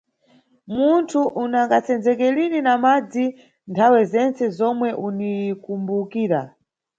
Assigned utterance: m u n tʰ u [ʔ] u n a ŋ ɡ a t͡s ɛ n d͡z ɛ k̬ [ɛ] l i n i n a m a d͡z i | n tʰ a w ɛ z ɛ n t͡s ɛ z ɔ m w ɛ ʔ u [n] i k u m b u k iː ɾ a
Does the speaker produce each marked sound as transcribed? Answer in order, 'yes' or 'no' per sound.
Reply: yes, yes, yes

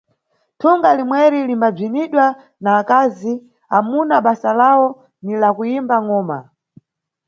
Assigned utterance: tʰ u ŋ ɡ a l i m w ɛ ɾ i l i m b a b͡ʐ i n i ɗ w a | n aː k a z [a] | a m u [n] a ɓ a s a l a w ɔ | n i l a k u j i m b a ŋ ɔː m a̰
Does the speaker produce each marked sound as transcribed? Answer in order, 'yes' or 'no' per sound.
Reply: no, yes

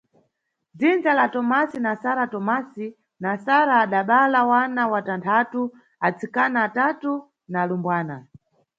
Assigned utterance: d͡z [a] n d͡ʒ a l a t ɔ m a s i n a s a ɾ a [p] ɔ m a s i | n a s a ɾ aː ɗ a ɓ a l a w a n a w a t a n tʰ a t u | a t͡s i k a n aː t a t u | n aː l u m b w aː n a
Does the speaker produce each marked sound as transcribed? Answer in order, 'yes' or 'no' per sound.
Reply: no, no

